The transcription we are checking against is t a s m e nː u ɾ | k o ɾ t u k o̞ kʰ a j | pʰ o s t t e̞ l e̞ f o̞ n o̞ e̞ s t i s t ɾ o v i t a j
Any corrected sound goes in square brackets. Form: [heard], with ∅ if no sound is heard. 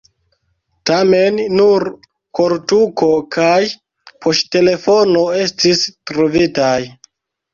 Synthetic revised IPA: t a [∅] m e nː u ɾ | k o ɾ t u k o̞ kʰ a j | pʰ o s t t e̞ l e̞ f o̞ n o̞ e̞ s t i s t ɾ o v i t a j